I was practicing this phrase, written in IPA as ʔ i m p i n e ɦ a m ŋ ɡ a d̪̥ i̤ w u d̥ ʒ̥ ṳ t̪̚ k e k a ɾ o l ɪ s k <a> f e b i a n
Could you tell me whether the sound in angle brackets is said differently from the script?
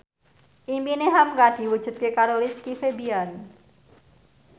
yes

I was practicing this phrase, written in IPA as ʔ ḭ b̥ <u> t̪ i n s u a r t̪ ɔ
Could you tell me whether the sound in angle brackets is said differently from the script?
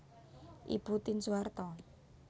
no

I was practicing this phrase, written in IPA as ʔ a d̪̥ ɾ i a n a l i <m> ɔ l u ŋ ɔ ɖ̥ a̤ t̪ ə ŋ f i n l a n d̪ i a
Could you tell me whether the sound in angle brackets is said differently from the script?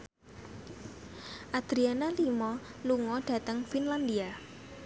no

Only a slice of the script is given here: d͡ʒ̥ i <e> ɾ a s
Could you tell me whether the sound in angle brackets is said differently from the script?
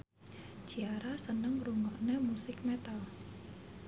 yes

